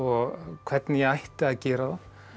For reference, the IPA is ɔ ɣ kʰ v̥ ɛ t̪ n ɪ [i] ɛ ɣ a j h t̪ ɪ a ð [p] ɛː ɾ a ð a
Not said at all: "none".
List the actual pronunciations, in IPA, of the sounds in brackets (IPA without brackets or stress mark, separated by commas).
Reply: j, c